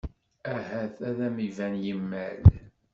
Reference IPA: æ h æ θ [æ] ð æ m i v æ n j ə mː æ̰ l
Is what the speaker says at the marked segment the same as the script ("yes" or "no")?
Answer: yes